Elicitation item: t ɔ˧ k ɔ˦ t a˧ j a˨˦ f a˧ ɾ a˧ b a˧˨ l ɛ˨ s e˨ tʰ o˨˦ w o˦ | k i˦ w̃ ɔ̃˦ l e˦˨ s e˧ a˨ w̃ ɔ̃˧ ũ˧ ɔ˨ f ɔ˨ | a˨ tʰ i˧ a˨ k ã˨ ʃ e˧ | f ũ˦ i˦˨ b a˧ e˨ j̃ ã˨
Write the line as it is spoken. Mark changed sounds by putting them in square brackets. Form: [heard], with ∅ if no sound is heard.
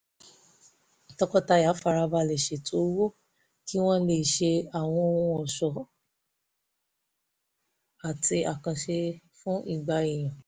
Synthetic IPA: t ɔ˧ k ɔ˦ t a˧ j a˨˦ f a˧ ɾ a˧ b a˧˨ l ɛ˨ [ʃ] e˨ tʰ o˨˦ w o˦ | k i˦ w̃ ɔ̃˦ l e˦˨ [ʃ] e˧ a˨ w̃ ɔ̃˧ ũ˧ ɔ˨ [ʃ] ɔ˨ | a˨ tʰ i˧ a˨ k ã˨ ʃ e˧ | f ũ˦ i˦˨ [ɡ͡b] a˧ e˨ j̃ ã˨